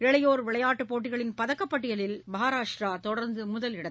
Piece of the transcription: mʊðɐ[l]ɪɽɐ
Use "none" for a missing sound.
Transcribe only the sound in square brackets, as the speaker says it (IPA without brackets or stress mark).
l